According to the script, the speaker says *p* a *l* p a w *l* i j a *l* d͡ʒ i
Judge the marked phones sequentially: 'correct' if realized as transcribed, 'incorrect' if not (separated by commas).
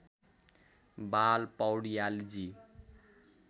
incorrect, correct, incorrect, correct